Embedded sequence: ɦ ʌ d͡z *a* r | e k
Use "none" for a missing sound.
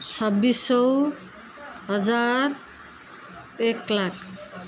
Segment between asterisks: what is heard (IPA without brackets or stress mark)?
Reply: a